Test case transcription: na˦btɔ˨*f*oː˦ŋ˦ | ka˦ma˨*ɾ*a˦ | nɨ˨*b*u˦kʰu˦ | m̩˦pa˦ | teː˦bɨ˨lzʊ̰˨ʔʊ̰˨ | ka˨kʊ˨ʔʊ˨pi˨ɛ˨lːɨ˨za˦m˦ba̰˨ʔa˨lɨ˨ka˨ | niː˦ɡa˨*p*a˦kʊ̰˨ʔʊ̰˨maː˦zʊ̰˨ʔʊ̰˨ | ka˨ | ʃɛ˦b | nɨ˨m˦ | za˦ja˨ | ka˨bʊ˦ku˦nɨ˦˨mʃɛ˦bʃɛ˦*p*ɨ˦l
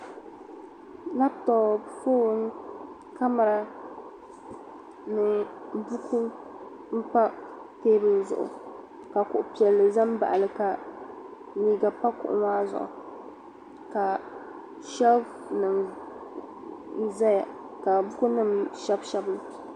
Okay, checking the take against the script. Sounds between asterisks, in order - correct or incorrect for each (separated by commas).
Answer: correct, correct, correct, correct, incorrect